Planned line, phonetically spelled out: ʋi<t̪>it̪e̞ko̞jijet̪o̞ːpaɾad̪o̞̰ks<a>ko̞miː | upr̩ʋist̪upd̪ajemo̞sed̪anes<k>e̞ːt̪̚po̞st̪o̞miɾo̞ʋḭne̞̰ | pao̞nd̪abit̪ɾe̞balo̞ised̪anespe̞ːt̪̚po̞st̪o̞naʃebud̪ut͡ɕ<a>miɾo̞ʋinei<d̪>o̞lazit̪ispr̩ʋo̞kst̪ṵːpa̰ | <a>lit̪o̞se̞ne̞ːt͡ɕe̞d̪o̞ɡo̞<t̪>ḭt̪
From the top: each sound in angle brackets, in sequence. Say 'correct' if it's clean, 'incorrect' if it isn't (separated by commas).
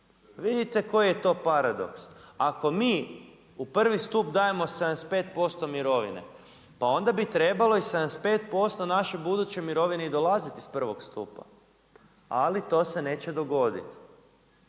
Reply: incorrect, correct, incorrect, incorrect, correct, correct, incorrect